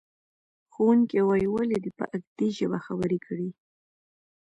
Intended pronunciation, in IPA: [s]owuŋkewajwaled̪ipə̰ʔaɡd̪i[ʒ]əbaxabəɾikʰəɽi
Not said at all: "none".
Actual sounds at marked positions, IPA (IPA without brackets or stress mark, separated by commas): x, ʒ